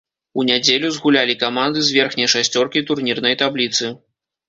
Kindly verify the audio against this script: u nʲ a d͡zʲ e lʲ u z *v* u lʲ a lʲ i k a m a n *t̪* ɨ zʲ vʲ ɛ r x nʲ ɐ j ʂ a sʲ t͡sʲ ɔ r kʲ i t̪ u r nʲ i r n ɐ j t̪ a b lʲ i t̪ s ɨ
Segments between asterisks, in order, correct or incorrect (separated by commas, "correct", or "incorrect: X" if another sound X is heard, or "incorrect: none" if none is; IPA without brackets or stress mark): incorrect: ɣ, incorrect: d̪